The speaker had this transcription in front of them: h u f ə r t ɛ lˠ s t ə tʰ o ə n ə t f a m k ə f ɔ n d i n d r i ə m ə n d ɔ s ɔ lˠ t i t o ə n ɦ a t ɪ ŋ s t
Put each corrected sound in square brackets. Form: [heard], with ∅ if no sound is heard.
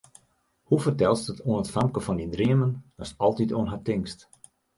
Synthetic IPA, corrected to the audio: h u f ə r t ɛ lˠ s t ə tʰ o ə n ə t f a m k ə f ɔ n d i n d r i ə m ə n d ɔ s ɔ lˠ t i t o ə n ɦ a t ɪ ŋ s t